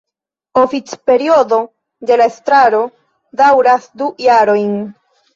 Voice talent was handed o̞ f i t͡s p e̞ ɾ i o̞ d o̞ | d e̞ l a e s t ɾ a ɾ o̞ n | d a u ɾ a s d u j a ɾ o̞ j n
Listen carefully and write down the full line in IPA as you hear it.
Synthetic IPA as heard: o̞ f i t͡s p e̞ ɾ i o̞ d o̞ | d e̞ l a e s t ɾ a ɾ o̞ | d a w ɾ a s d u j a ɾ o̞ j n